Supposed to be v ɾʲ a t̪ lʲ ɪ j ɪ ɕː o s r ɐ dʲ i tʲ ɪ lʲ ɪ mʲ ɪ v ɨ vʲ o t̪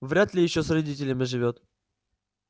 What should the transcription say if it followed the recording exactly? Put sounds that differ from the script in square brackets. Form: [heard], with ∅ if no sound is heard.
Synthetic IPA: v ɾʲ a t̪ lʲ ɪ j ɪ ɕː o s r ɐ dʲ i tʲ ɪ lʲ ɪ mʲ ɪ [ʐ] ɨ vʲ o t̪